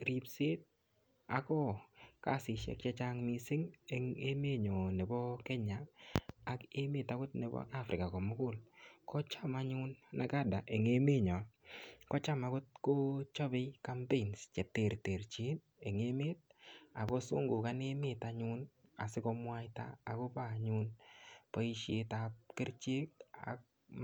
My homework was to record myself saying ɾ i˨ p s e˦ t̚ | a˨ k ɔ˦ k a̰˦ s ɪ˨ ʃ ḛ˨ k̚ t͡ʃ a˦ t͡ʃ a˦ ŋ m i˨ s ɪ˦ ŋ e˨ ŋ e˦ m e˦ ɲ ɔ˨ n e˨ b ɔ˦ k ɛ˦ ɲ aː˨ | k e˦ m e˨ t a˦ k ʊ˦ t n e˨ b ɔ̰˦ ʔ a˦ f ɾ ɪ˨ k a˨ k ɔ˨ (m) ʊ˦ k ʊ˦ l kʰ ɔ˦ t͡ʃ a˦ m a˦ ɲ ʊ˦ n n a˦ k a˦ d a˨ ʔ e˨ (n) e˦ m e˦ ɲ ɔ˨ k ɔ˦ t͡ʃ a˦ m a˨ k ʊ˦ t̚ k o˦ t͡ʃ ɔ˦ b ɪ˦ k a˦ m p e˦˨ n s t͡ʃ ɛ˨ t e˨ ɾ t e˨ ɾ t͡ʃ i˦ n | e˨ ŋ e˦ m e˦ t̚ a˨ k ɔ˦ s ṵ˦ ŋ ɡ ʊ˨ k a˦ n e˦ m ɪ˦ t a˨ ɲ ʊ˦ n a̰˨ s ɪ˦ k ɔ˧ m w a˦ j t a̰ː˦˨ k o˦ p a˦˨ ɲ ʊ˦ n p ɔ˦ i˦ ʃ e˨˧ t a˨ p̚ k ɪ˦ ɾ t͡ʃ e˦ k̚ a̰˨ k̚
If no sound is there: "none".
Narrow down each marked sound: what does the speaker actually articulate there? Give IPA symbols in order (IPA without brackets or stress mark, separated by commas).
m, ŋ